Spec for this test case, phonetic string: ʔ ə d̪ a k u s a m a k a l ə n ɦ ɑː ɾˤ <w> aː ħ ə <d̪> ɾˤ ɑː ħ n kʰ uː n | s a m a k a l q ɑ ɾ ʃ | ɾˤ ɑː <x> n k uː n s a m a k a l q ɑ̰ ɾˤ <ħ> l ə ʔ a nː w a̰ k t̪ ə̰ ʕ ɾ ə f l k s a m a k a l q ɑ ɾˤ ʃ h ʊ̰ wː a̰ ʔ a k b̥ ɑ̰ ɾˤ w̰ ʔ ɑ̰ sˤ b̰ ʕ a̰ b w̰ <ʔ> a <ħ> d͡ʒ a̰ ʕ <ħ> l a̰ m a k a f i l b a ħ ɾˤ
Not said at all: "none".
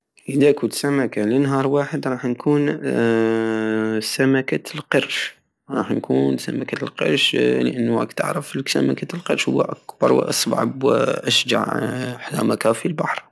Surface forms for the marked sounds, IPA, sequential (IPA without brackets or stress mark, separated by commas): w, d̪, ħ, ʃ, ʔ, ʃ, ħ